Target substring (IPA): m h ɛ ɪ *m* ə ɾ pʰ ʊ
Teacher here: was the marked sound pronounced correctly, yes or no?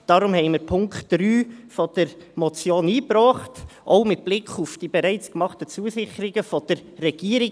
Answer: yes